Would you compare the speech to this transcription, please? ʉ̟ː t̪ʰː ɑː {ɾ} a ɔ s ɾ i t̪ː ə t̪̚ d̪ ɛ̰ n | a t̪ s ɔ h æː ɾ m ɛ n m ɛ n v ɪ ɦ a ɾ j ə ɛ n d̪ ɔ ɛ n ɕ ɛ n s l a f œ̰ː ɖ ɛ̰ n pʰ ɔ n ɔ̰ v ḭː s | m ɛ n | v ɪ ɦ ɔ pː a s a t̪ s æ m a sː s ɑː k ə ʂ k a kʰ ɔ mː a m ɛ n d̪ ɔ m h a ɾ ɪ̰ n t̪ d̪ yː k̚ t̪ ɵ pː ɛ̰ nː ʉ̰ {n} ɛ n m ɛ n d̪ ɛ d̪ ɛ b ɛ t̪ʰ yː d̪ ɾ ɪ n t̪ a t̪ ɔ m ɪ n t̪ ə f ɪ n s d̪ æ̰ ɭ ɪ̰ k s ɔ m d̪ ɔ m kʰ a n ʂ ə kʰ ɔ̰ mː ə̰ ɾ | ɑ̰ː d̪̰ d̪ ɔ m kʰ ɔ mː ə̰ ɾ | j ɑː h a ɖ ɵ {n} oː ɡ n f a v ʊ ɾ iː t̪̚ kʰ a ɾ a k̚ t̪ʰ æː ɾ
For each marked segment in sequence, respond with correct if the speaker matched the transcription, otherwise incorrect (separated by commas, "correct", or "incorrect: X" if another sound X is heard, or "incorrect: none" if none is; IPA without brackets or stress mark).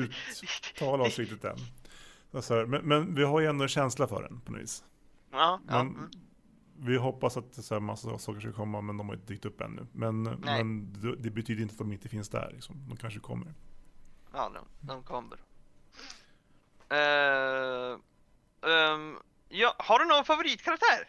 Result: incorrect: l, incorrect: m, correct